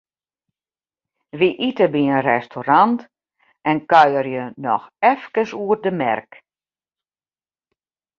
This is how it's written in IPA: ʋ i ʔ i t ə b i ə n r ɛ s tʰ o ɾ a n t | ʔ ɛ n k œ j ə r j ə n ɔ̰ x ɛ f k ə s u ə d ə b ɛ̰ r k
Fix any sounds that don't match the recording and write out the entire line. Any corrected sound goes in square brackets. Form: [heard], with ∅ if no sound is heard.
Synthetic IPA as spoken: ʋ i ʔ i t ə b i ə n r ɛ s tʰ o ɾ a n t | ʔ ɛ n k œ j ə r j ə n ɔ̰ x ɛ f k ə s u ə d ə [m] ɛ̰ r k